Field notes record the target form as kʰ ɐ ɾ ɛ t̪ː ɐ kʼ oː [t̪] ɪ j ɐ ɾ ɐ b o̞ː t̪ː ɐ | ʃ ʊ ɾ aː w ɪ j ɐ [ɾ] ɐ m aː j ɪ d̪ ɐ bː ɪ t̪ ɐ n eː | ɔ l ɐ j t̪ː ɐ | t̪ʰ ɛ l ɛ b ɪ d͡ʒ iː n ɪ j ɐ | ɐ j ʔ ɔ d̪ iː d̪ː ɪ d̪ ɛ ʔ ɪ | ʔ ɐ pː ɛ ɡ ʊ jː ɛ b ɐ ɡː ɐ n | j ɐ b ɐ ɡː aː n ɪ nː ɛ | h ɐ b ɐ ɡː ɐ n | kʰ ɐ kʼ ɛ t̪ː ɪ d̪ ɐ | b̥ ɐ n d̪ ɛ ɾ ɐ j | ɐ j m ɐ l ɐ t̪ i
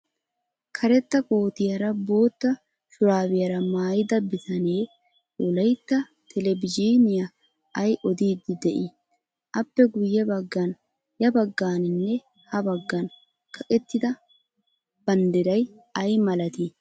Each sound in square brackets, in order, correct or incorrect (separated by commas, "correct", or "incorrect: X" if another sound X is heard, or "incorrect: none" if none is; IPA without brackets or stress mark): correct, correct